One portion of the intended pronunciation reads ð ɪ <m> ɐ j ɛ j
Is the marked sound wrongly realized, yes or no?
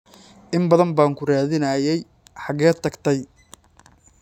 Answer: yes